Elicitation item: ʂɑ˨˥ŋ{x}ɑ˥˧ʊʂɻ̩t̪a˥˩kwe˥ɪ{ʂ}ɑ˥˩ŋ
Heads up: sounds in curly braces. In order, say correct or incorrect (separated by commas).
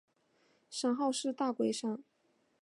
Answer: correct, correct